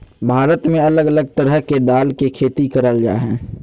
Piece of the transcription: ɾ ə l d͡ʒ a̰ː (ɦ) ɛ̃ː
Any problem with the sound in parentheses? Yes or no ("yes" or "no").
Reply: no